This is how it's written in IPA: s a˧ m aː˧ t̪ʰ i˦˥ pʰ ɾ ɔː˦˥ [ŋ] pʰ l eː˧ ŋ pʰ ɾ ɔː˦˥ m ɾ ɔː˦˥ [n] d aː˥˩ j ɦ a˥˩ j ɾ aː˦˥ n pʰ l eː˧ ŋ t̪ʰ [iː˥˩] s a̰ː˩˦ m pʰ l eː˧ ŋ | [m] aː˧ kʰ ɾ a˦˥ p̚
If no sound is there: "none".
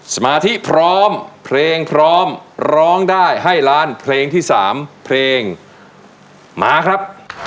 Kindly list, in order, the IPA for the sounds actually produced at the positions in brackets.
m, ŋ, iː˥˩, m

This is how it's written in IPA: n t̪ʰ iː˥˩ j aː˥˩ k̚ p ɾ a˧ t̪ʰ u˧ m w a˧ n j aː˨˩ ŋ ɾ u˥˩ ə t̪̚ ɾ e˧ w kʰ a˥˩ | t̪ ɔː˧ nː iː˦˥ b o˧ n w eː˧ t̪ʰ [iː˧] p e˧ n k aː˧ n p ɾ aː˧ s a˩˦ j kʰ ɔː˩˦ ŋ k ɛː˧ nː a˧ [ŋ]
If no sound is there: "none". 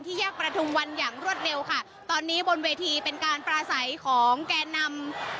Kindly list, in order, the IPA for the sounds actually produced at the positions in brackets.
iː˧, m

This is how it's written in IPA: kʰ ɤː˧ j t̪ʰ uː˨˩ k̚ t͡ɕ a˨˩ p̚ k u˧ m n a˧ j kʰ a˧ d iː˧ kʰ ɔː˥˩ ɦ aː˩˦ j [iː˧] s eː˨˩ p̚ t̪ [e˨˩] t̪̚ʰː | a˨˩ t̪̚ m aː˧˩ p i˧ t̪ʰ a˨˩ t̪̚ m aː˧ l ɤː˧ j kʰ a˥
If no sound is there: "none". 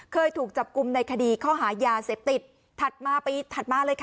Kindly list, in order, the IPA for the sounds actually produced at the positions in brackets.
aː˧, i˨˩

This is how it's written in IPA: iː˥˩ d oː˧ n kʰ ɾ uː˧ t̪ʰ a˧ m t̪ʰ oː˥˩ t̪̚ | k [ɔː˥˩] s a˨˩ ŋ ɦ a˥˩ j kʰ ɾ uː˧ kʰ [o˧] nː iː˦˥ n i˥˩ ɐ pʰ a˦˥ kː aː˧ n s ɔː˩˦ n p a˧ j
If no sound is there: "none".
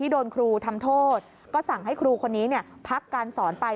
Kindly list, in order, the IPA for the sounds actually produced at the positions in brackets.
ɔː˥˩, o˧

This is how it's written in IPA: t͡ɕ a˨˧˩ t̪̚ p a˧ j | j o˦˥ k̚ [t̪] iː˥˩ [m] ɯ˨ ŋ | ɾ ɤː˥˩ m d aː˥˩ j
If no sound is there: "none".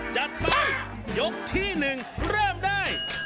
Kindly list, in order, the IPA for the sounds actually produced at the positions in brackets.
t̪ʰ, n

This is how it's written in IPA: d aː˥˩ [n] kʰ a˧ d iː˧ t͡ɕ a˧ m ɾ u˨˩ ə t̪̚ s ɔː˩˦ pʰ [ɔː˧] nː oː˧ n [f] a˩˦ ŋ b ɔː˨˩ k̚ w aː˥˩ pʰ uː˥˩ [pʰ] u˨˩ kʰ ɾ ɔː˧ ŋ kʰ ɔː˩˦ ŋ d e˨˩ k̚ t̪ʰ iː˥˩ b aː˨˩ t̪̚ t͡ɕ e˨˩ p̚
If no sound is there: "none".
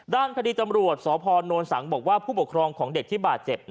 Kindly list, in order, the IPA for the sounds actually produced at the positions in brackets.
n, ɔː˧, s, p

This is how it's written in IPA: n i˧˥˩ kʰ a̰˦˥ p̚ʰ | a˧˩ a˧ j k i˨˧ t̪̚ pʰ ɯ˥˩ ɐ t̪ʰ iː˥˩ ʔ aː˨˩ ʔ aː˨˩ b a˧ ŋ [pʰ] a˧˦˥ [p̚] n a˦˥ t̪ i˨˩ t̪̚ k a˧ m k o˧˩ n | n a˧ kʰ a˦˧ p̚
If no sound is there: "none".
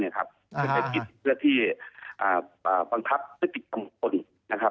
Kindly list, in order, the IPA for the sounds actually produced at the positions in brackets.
kʰ, p̚

